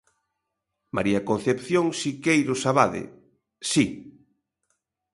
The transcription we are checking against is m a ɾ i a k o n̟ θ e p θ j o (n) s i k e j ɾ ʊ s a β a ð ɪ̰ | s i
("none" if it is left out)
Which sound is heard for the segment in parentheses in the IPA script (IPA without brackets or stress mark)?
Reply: ŋ